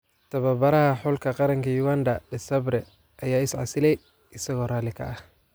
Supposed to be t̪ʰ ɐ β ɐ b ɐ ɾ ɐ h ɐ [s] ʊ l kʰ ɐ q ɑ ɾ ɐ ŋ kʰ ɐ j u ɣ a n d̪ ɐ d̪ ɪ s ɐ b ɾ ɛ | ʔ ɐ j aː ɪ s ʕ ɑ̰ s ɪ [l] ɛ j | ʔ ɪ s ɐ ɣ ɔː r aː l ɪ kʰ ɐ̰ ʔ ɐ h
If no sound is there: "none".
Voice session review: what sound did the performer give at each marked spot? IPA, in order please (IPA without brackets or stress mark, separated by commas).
ħ, l